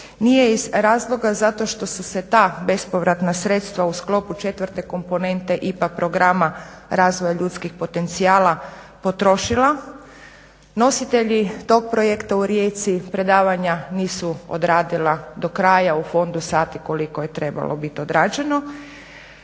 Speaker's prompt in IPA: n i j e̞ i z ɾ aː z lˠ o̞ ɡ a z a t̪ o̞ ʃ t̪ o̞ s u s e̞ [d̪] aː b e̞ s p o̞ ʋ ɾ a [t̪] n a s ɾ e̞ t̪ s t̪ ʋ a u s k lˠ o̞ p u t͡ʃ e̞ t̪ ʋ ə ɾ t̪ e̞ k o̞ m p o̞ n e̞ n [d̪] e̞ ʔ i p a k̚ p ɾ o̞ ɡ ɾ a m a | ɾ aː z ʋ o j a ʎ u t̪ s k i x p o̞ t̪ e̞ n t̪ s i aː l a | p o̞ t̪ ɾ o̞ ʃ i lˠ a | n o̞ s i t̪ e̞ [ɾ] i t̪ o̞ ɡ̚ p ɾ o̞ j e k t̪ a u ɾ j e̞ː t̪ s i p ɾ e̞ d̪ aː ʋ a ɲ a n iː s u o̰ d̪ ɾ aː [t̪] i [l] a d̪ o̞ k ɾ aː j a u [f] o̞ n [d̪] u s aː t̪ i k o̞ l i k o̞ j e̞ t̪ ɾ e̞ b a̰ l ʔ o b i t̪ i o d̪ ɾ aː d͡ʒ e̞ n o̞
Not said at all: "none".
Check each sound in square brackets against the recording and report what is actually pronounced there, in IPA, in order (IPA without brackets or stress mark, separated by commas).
t̪, t̪, t̪, ʎ, d̪, l, f, d̪